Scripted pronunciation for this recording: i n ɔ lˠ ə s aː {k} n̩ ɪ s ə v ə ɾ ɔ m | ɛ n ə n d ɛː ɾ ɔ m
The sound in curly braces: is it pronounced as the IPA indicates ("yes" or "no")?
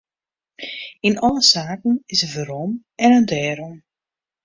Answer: yes